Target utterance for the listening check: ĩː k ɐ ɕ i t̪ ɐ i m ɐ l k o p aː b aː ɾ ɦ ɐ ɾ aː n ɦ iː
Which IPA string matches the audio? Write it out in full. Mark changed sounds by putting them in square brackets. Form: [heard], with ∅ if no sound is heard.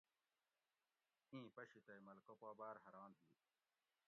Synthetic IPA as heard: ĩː [p] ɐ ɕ i t̪ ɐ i m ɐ l k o p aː b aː ɾ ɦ ɐ ɾ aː n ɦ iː